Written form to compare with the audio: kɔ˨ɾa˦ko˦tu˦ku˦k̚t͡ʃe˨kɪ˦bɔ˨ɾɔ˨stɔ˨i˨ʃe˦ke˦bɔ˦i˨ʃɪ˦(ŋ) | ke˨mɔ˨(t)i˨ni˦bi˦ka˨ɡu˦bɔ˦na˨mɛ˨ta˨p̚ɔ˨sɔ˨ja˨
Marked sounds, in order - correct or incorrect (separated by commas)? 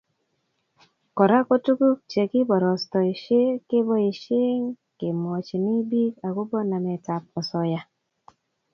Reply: correct, incorrect